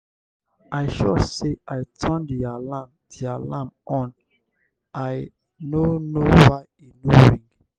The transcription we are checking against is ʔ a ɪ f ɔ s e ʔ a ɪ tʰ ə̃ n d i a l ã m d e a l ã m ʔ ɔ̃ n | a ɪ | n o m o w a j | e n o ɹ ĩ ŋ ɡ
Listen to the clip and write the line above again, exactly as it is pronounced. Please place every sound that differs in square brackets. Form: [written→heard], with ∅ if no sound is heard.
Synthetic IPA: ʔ a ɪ [f→ʃ] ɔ s e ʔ a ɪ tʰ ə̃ n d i a l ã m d [e→i] a l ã m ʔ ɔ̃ n | a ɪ | n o [m→n] o w a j | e n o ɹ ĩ ŋ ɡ